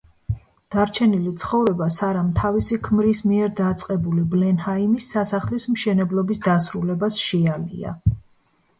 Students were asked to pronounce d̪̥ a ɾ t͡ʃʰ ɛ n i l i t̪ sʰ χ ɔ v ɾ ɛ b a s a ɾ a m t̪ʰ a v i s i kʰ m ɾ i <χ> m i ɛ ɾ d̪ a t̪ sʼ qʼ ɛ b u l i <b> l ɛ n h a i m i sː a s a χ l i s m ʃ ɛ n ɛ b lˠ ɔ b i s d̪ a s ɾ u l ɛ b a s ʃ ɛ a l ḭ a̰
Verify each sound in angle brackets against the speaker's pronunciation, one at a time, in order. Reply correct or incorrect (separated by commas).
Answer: incorrect, correct